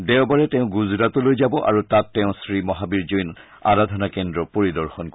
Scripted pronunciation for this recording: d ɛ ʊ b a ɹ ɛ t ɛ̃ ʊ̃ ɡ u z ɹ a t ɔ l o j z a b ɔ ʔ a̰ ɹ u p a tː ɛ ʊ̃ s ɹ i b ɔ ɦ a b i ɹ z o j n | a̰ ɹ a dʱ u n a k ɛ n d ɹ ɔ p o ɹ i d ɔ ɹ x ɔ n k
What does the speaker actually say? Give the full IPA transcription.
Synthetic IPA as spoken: d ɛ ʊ b a ɹ ɛ t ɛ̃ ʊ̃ ɡ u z ɹ a t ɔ l o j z a b ɔ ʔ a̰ ɹ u t a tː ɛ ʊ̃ s ɹ i m ɔ ɦ a b i ɹ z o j n | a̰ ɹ a dʱ ɔ n a k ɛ n d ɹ ɔ p o ɹ i d ɔ ɹ x ɔ n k